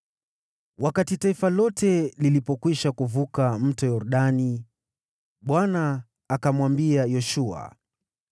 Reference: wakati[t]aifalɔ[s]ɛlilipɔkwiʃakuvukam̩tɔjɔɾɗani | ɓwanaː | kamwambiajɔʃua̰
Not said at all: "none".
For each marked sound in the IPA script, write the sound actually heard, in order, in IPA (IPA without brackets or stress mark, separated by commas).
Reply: t, t